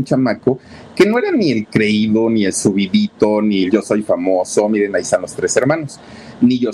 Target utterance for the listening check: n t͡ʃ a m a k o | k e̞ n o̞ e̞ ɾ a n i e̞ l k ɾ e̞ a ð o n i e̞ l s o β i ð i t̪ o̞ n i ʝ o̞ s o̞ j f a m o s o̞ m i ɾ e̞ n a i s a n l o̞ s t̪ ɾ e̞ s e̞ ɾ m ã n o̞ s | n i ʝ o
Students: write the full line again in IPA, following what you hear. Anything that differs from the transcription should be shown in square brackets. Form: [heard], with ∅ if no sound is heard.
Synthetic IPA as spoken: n t͡ʃ a m a k o | k e̞ n o̞ e̞ ɾ a n i e̞ l k ɾ e̞ [i] ð o n i e̞ l s [u] β i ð i t̪ o̞ n i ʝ o̞ s o̞ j f a m o s o̞ m i ɾ e̞ n a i s a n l o̞ s t̪ ɾ e̞ s e̞ ɾ m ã n o̞ s | n i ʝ o